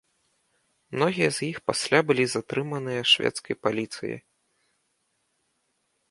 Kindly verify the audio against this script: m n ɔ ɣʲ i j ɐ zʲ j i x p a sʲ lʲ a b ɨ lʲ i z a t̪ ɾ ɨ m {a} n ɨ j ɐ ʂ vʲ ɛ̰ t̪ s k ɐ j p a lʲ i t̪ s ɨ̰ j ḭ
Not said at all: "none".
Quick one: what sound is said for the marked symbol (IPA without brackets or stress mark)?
ɐ